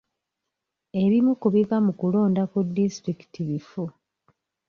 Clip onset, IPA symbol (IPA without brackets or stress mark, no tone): e̞